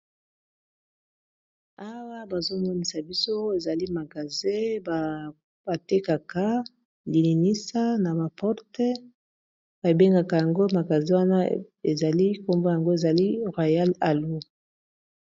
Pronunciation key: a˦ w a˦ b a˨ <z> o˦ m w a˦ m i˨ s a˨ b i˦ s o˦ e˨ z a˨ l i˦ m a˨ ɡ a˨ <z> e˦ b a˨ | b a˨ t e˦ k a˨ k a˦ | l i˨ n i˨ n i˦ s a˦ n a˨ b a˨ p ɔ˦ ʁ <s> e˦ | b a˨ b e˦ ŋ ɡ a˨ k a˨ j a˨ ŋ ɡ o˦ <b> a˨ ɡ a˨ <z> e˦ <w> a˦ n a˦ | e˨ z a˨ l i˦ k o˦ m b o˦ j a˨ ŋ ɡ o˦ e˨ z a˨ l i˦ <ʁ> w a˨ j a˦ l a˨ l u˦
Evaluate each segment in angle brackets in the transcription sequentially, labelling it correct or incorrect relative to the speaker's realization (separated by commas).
correct, correct, incorrect, incorrect, correct, correct, correct